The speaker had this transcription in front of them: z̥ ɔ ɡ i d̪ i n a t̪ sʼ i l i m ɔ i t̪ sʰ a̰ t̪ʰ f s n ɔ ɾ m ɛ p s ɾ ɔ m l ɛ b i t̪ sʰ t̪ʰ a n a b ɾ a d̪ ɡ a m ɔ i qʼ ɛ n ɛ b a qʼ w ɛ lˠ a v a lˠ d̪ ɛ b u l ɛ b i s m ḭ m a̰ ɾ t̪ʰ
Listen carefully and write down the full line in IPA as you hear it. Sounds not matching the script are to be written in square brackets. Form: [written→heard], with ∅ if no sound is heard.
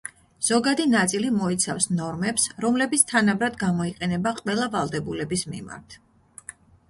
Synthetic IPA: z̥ ɔ ɡ [i→a] d̪ i n a t̪ sʼ i l i m ɔ i t̪ sʰ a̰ [t̪ʰ→∅] f s n ɔ ɾ m ɛ p s ɾ ɔ m l ɛ b i t̪ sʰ t̪ʰ a n a b ɾ a d̪ ɡ a m ɔ i qʼ ɛ n ɛ b a qʼ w ɛ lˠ a v a lˠ d̪ ɛ b u l ɛ b i s m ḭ m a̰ ɾ t̪ʰ